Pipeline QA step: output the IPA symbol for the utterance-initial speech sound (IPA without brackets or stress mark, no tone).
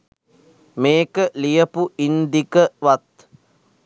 m